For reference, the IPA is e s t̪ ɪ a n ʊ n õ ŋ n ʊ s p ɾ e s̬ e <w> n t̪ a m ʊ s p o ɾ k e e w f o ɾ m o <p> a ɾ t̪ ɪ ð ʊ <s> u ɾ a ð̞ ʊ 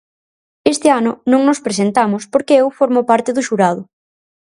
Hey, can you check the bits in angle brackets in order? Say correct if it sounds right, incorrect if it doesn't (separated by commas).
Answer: incorrect, correct, incorrect